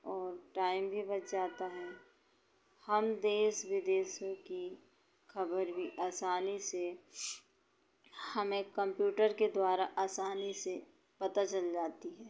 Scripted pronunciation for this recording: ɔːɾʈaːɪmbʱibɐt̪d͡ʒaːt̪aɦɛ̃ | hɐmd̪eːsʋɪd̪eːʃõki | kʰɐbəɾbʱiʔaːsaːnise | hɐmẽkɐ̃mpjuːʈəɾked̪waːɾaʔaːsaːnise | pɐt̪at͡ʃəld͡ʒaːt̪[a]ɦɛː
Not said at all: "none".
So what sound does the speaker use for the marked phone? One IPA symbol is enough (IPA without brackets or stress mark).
i